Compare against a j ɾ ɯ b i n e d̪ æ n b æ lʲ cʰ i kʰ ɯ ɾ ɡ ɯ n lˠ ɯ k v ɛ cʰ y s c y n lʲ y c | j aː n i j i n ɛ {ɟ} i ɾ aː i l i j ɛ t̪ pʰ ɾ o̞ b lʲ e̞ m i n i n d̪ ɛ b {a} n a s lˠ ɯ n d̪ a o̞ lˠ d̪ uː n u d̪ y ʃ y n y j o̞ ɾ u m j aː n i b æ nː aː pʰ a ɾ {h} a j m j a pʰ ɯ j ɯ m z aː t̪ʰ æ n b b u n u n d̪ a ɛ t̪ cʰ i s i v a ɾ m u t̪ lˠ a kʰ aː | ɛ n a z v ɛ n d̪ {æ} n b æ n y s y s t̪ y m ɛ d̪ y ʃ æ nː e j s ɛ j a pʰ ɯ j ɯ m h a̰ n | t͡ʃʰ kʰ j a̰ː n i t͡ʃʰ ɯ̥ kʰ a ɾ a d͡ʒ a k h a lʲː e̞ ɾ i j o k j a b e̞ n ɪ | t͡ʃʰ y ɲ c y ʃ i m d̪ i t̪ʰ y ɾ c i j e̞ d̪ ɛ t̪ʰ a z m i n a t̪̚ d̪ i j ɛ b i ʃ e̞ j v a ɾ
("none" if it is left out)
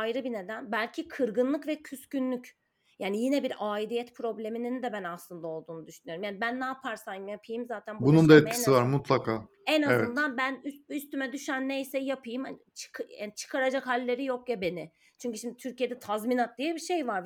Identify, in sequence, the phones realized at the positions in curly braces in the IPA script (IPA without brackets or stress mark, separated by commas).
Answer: b, æ, s, a